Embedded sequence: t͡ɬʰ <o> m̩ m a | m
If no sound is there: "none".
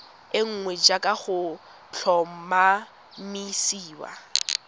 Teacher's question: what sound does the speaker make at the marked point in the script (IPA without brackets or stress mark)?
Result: ɔ